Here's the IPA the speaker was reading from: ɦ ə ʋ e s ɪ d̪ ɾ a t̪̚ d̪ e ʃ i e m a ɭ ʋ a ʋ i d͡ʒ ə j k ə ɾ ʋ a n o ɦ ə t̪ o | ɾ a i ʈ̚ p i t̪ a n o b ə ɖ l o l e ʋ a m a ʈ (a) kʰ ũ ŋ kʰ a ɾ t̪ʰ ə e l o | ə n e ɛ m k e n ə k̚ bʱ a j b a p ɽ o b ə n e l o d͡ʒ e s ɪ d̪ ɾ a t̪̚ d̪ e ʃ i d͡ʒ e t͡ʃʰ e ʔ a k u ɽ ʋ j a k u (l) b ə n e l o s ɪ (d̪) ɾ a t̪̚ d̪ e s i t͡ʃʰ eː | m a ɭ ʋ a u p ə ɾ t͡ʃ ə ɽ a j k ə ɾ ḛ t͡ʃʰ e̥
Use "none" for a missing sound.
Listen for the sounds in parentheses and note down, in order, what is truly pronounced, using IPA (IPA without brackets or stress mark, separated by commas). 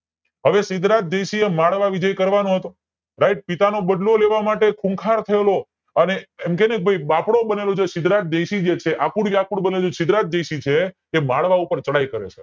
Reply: e, ɽ, d̪